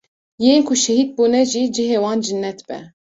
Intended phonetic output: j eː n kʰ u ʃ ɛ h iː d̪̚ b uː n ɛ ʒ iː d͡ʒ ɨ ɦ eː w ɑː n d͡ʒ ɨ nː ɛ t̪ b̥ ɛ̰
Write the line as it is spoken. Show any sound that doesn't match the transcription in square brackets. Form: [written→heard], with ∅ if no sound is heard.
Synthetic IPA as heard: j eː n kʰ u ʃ ɛ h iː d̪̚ b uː n ɛ ʒ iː d͡ʒ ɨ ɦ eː w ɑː n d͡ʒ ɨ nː ɛ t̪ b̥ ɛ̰